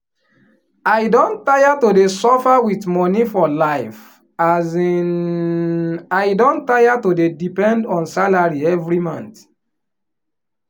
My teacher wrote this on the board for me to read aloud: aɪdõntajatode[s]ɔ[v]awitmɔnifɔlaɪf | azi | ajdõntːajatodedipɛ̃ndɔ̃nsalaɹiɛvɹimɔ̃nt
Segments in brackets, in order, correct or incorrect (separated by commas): correct, incorrect